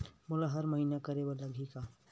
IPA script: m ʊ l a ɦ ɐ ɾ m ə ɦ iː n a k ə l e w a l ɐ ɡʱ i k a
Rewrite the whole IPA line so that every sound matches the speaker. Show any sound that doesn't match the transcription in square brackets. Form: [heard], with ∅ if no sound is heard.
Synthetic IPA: m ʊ l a ɦ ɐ ɾ m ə ɦ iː n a k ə [ɾ] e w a l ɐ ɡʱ i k a